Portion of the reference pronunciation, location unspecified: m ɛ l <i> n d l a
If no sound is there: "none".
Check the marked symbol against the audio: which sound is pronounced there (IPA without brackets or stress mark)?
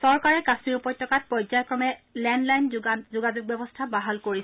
ɛ